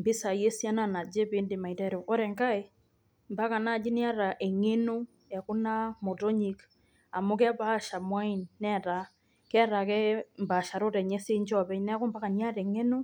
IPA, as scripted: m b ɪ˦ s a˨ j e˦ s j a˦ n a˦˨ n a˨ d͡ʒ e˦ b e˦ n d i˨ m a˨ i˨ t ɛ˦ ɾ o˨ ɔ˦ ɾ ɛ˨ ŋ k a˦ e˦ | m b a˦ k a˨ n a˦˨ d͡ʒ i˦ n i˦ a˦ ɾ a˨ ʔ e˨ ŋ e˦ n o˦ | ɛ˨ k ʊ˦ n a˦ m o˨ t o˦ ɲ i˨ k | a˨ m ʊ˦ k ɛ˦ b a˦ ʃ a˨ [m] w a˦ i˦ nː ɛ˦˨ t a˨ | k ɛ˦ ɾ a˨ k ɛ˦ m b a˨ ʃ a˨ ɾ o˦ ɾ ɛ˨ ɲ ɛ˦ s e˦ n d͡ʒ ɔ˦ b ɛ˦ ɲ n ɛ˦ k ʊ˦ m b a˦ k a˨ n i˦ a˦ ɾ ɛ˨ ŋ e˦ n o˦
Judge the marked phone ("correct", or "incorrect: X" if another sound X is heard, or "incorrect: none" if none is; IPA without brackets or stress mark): correct